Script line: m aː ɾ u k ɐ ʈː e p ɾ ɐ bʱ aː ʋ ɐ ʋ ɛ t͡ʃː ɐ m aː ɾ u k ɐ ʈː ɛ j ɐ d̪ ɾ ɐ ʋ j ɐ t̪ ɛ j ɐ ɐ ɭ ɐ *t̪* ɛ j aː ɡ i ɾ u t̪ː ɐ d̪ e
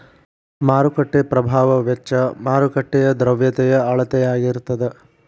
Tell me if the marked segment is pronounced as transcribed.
yes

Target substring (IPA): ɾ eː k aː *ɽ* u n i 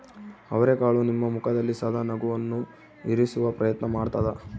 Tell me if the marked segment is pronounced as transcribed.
no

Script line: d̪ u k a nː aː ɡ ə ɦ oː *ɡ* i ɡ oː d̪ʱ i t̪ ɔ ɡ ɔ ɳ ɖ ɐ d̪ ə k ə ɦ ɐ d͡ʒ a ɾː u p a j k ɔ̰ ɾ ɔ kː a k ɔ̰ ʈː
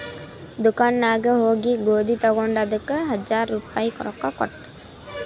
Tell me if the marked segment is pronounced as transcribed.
yes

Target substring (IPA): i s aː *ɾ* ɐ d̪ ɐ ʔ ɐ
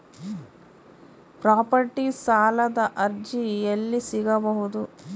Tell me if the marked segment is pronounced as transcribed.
no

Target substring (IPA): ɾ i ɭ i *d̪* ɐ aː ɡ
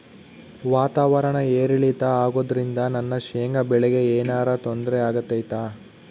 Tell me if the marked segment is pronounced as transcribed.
no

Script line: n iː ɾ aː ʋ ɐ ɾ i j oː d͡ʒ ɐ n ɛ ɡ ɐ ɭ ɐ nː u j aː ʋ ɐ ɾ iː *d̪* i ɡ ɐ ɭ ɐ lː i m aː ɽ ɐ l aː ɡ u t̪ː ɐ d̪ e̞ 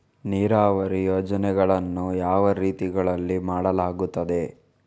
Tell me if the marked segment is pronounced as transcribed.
no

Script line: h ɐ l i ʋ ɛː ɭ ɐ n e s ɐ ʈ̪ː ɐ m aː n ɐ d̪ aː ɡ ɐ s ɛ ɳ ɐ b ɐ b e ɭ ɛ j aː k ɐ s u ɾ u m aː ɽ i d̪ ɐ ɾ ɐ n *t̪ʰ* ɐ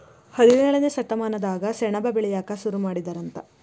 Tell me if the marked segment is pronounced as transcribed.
no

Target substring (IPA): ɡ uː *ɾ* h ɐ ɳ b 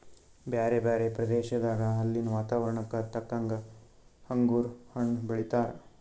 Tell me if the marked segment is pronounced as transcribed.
yes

